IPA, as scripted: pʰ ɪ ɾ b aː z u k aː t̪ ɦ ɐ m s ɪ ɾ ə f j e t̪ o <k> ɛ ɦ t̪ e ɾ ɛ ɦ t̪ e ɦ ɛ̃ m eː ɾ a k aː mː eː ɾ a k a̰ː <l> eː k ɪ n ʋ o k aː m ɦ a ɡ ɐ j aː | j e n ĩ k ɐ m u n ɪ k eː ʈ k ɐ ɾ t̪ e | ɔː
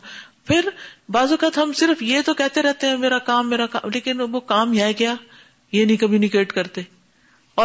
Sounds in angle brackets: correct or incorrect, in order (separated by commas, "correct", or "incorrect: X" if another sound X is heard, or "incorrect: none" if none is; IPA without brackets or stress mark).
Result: correct, correct